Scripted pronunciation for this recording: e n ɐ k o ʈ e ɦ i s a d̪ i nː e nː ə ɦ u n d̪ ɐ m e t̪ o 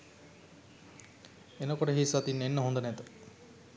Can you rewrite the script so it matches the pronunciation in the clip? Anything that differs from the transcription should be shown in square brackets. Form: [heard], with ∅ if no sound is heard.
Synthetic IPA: e n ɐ k o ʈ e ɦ i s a [t̪] i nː e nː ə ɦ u n d̪ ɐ [n] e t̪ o